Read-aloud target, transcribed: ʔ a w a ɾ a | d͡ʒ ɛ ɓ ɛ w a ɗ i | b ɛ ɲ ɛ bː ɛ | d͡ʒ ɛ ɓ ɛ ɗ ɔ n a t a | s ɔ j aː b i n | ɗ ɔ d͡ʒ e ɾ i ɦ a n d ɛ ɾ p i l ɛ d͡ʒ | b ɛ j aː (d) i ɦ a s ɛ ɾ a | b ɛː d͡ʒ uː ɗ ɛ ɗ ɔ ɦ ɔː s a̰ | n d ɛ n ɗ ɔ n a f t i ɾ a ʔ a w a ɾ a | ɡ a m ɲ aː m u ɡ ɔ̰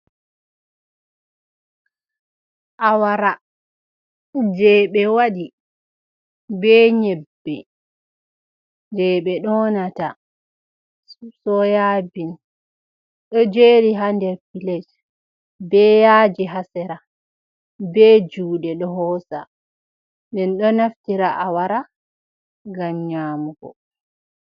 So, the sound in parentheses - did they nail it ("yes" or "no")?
no